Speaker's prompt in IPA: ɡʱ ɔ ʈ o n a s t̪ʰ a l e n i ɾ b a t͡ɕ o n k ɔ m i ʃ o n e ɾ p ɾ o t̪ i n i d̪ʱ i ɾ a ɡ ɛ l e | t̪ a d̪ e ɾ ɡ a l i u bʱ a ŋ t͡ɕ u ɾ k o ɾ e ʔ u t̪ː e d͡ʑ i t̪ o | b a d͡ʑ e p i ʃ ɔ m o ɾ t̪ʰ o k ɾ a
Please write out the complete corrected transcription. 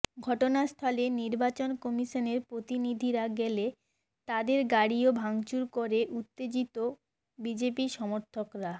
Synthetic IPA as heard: ɡʱ ɔ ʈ o n a s t̪ʰ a l e n i ɾ b a t͡ɕ o n k ɔ m i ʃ o n e ɾ p ɾ o t̪ i n i d̪ʱ i ɾ a ɡ ɛ l e | t̪ a d̪ e ɾ ɡ a ɽ i o bʱ a ŋ t͡ɕ u ɾ k o ɾ e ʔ u t̪ː e d͡ʑ i t̪ o | b i d͡ʑ e p i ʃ ɔ m o ɾ t̪ʰ o k ɾ a